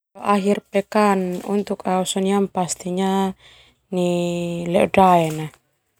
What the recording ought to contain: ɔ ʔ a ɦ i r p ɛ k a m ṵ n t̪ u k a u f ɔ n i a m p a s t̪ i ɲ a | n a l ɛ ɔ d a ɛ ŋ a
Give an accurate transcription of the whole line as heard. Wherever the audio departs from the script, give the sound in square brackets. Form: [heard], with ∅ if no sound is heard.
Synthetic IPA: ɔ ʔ a ɦ i r p ɛ k a [n] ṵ n t̪ u k a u [s] ɔ n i a m p a s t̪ i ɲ a | n [i] l ɛ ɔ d a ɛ [n] a